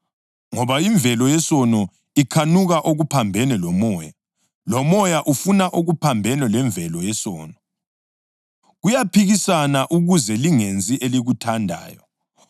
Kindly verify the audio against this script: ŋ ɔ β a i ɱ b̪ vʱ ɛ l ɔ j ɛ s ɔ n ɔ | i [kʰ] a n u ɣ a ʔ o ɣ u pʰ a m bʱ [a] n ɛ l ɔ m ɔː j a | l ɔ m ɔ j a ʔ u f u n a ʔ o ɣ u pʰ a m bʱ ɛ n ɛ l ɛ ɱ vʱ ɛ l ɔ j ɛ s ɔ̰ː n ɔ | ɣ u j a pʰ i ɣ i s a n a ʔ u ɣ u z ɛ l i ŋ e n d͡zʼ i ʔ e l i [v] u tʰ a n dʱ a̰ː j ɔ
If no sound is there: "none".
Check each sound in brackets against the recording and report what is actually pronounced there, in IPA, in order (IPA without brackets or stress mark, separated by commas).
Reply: kʰ, ɛ, ɣ